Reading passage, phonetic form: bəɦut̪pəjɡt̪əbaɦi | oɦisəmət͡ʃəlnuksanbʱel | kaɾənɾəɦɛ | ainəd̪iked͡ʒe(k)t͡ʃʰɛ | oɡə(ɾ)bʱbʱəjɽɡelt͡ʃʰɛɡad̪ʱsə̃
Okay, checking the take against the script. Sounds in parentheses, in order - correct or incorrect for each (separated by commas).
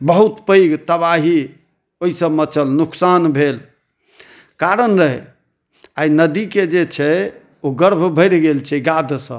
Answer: incorrect, correct